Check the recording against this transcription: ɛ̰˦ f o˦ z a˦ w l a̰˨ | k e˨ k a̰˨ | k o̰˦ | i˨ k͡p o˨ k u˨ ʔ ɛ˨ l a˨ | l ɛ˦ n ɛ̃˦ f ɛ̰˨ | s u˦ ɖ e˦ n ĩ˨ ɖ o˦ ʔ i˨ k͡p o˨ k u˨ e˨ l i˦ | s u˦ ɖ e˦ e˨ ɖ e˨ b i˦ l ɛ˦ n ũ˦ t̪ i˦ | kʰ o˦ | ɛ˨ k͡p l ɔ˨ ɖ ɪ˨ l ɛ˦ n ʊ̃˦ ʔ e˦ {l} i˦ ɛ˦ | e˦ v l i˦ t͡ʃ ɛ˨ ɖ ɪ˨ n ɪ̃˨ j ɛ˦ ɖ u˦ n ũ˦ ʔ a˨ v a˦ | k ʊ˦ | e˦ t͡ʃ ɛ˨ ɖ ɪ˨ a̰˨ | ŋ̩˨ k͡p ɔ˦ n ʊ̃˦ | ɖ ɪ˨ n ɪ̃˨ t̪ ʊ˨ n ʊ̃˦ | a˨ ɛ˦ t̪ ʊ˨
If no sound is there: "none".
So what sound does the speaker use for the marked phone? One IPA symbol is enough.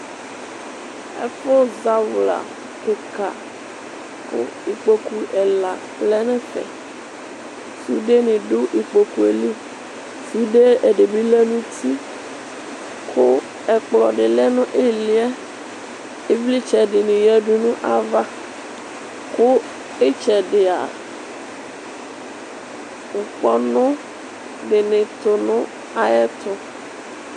l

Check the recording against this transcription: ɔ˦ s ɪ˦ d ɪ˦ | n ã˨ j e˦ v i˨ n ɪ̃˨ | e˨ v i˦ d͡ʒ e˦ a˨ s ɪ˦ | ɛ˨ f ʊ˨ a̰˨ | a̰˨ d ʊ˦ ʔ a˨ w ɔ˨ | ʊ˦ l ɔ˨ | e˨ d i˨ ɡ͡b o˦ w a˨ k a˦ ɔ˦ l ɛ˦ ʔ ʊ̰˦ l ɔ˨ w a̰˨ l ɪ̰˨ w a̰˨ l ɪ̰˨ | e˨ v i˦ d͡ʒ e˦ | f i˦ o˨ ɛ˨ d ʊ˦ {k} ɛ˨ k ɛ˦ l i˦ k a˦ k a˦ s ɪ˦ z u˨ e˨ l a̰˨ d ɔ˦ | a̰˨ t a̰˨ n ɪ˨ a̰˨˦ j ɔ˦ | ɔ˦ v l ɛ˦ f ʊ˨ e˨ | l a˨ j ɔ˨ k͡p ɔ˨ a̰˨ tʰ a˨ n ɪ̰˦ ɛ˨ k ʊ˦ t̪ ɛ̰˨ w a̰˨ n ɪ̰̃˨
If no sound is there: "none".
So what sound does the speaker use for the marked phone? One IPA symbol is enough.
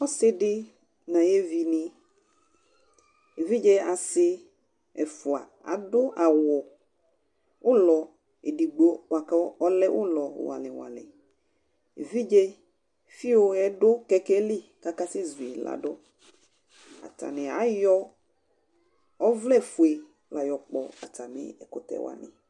k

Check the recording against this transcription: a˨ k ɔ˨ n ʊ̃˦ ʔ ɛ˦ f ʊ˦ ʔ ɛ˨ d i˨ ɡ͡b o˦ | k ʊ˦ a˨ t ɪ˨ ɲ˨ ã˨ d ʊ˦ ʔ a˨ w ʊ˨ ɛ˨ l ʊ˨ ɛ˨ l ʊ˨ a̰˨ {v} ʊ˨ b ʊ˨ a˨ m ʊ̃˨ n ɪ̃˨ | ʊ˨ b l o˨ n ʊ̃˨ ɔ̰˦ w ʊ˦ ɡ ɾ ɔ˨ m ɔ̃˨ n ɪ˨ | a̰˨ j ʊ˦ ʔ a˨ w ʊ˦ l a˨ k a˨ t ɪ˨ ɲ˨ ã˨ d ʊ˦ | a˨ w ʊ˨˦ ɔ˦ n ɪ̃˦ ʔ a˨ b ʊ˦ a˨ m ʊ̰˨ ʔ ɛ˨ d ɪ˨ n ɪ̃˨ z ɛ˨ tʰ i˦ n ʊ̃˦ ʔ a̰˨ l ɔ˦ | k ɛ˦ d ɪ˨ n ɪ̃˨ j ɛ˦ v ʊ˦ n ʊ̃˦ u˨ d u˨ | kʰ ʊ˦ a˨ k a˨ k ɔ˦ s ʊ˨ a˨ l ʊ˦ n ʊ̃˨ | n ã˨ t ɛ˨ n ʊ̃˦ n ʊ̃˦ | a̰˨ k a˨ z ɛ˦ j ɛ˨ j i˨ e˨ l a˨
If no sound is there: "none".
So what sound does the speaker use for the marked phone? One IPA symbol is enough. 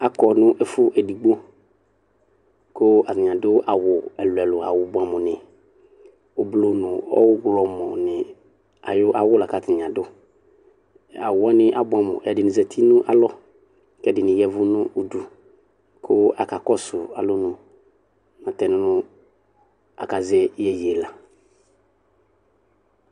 w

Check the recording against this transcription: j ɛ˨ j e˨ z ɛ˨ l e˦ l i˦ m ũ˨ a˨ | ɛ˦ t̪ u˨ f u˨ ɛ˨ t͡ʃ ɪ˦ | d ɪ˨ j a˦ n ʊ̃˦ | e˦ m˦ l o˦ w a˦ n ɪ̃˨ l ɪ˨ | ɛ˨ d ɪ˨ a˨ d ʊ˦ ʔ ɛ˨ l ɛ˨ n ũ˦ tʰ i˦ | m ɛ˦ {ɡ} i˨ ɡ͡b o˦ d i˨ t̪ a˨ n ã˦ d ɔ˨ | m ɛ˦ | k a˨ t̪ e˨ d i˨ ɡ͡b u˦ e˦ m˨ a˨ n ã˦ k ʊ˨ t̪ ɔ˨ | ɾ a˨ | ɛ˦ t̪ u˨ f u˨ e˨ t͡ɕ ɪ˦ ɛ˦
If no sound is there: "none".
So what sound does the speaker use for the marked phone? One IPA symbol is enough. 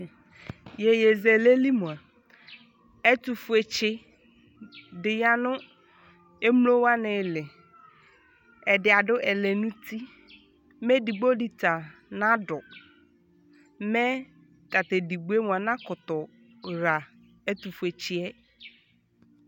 d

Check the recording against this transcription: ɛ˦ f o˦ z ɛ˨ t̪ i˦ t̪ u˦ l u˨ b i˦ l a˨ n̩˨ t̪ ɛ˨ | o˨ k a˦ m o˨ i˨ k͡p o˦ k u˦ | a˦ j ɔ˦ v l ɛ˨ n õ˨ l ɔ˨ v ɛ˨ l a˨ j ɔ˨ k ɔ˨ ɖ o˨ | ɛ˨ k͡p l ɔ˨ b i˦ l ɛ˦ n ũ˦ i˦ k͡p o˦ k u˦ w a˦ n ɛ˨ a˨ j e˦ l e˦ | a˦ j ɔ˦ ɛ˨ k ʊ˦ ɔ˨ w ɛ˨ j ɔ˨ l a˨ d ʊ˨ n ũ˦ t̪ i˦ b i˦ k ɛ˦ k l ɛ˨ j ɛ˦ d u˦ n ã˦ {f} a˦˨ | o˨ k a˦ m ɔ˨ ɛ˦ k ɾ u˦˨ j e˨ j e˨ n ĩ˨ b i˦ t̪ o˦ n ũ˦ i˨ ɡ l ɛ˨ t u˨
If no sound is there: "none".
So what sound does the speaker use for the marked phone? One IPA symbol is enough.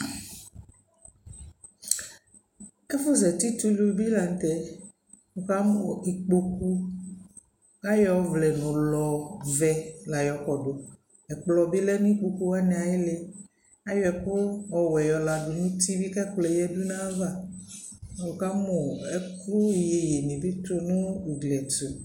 v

